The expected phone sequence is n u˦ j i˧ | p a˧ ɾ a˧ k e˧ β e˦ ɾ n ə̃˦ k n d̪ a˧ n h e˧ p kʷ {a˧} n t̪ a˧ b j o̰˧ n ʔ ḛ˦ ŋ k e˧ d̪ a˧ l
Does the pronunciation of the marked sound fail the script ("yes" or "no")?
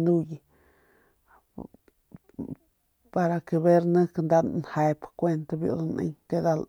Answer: yes